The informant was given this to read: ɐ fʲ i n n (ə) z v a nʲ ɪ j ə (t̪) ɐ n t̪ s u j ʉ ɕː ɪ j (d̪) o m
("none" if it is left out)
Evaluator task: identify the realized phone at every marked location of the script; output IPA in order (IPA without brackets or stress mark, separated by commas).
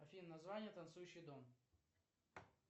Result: ɐ, t̪, d̪